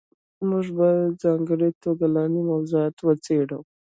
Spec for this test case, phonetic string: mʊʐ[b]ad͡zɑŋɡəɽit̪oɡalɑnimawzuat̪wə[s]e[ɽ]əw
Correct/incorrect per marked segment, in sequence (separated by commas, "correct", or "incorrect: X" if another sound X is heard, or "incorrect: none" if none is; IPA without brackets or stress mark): correct, incorrect: t͡s, correct